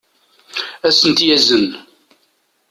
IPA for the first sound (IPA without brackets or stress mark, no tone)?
æ